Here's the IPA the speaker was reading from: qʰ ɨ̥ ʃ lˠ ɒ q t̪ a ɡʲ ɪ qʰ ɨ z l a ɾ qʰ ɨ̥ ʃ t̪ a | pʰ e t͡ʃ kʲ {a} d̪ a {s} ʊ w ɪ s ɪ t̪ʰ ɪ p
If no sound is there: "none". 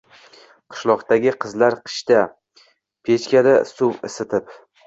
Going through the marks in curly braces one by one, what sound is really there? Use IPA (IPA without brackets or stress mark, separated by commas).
a, s